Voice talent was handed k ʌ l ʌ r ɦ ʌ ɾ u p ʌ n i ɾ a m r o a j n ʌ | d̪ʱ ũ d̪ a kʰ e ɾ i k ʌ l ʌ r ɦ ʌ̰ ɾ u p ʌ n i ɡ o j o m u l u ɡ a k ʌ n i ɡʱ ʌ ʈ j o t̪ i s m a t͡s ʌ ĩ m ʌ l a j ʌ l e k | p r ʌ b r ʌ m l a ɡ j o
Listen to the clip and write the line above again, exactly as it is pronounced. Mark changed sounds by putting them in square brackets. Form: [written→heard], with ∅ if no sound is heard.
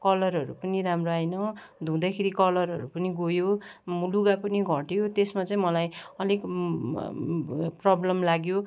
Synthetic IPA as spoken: k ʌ l ʌ r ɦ ʌ ɾ u p ʌ n i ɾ a m r o a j n ʌ | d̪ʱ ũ d̪ a kʰ e ɾ i k ʌ l ʌ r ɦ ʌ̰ ɾ u p ʌ n i ɡ o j o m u l u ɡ a [k→p] ʌ n i ɡʱ ʌ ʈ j o t̪ [i→e] s m a t͡s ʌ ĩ m ʌ l a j ʌ l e k | p r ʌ b [r→l] ʌ m l a ɡ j o